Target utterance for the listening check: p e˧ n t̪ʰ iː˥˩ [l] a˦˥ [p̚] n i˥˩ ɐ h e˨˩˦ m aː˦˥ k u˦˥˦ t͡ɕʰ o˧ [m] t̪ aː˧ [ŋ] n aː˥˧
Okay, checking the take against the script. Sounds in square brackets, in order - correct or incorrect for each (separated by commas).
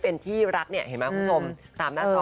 incorrect, incorrect, correct, incorrect